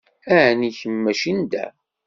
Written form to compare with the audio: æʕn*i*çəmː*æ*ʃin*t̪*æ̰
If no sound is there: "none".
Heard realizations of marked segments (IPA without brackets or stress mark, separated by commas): i, æ, d̪